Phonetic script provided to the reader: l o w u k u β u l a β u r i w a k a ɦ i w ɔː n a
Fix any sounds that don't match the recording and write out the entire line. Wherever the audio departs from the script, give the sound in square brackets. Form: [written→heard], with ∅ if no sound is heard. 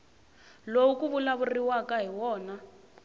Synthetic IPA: l o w u k u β u l a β u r i w a k a ɦ i w ɔː n a